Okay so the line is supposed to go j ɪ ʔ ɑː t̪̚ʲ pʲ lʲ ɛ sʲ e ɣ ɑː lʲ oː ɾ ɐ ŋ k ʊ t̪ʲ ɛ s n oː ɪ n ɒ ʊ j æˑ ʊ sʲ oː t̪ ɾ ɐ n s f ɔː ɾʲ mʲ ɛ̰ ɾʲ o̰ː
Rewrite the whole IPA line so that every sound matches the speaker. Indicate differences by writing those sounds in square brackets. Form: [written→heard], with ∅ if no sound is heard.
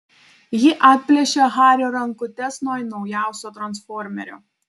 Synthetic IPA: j ɪ ʔ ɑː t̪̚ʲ pʲ lʲ ɛ [sʲ→ʃʲ] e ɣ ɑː [lʲ→ɾʲ] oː ɾ ɐ ŋ k ʊ t̪ʲ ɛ s n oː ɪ n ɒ ʊ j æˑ ʊ sʲ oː t̪ ɾ ɐ n s f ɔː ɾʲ mʲ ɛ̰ ɾʲ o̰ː